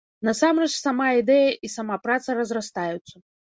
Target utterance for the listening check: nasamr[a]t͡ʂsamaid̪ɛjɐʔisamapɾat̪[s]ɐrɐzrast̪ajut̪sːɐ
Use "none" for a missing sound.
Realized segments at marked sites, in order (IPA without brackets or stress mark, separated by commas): ɛ, s